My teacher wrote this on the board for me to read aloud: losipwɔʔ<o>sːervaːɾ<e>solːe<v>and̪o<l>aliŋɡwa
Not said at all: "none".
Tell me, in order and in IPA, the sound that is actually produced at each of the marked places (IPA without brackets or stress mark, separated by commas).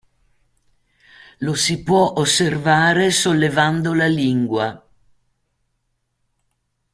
o, e, v, l